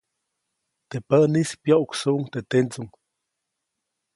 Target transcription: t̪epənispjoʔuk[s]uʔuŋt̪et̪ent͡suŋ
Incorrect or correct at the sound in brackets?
correct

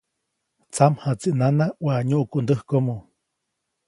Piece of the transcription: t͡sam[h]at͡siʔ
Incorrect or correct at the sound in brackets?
correct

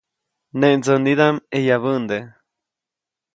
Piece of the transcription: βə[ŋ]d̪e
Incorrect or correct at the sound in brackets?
incorrect: n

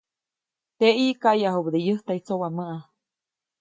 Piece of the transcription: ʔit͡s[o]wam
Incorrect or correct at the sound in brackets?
correct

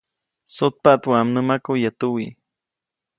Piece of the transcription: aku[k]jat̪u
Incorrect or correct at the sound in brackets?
incorrect: none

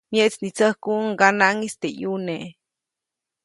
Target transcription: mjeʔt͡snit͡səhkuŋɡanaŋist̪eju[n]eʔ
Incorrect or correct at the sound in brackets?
correct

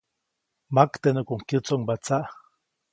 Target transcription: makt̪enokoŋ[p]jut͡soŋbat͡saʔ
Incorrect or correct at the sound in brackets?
incorrect: k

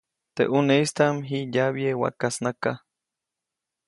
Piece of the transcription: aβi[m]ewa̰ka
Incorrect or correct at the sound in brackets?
incorrect: none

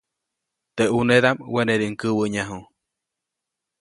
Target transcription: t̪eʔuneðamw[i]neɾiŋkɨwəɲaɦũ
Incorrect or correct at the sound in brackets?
incorrect: e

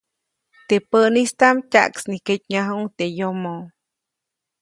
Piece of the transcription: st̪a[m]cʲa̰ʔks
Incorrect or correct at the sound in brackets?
correct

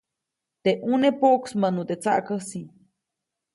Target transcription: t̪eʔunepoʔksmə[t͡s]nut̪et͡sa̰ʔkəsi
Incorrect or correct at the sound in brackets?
incorrect: none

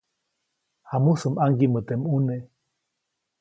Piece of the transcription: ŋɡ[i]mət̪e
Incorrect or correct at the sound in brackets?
correct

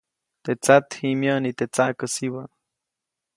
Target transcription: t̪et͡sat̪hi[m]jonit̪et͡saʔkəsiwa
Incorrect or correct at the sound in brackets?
correct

